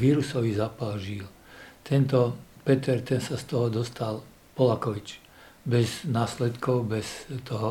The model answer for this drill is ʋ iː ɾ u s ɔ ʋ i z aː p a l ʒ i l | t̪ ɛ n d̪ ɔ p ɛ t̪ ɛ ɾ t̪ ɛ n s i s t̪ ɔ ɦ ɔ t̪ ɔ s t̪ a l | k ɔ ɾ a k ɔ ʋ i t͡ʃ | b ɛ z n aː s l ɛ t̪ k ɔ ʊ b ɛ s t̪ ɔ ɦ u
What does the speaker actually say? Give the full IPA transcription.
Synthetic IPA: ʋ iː ɾ u s ɔ ʋ i z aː p a l ʒ i l | t̪ ɛ n t̪ ɔ p ɛ t̪ ɛ ɾ t̪ ɛ n s a s t̪ ɔ ɦ ɔ d̪ ɔ s t̪ a l | p ɔ l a k ɔ ʋ i t͡ʃ | b ɛ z n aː s l ɛ t̪ k ɔ ʊ b ɛ s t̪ ɔ ɦ ɔ